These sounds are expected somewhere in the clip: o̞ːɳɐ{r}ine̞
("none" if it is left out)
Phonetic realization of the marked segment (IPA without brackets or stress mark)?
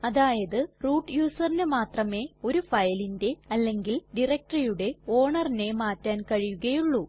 r